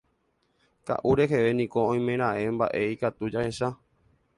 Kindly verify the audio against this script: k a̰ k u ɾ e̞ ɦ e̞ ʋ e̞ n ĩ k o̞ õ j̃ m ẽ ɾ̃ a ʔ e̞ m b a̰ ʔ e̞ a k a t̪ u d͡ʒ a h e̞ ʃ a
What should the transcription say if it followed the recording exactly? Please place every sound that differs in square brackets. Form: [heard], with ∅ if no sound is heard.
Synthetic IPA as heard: k a̰ [ʔ] u ɾ e̞ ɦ e̞ ʋ e̞ n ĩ k o̞ õ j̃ m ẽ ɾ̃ a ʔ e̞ m b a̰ ʔ e̞ [i] k a t̪ u d͡ʒ a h e̞ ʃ a